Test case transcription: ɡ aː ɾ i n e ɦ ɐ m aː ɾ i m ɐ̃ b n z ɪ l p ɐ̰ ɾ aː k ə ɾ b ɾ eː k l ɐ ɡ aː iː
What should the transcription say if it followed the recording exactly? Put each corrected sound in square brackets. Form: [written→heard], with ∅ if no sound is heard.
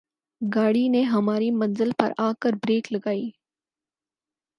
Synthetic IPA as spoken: ɡ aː [ɾ→ɽ] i n e ɦ ɐ m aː ɾ i m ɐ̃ [b→∅] n z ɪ l p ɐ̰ ɾ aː k ə ɾ b ɾ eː k l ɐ ɡ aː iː